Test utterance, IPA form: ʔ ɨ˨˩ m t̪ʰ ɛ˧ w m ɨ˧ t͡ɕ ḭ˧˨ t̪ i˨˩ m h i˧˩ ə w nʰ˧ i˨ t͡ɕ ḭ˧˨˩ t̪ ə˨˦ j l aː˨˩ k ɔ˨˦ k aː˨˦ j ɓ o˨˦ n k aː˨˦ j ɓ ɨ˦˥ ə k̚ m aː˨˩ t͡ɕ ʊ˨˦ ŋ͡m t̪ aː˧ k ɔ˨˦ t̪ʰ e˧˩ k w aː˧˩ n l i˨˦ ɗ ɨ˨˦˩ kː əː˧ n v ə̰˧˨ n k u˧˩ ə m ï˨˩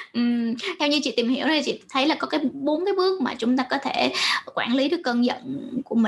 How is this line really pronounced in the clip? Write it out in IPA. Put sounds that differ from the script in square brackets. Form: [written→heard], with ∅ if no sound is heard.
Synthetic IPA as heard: ʔ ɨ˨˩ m t̪ʰ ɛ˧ w [m→ɲ] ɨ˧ t͡ɕ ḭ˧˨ t̪ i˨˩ m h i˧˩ ə w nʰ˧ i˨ t͡ɕ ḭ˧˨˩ [t̪→t̪ʰ] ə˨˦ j l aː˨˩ k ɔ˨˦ k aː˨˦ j ɓ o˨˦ n k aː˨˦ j ɓ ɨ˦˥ ə k̚ m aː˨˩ t͡ɕ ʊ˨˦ ŋ͡m t̪ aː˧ k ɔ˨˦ t̪ʰ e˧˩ k w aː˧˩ n l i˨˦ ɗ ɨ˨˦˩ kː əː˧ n [v→z] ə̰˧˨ n k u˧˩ ə m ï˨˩